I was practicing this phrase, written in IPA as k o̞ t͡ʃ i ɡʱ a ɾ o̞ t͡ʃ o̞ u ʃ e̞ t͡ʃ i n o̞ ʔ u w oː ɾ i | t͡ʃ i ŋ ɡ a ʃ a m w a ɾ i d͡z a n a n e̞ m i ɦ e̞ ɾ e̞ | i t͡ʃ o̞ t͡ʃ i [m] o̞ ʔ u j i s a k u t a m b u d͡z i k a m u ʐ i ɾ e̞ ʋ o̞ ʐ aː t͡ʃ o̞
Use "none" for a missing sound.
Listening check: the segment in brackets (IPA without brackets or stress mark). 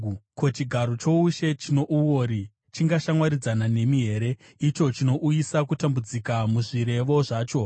n